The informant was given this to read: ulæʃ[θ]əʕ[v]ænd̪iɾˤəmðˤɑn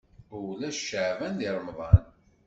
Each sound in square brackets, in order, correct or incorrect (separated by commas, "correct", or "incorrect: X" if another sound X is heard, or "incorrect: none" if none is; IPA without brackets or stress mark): incorrect: ʃ, correct